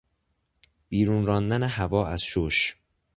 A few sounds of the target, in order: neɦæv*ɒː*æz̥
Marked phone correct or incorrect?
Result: correct